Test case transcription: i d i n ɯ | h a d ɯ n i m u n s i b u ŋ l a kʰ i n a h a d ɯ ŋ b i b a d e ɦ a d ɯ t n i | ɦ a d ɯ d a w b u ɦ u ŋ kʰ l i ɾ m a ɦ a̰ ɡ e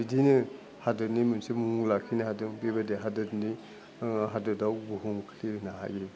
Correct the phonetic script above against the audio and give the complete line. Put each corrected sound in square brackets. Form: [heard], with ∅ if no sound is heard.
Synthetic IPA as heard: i d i n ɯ | h a d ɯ n i m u n s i [m] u ŋ l a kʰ i n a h a d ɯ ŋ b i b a d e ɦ a d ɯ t n i | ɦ a d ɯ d a w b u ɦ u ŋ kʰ l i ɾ [n] a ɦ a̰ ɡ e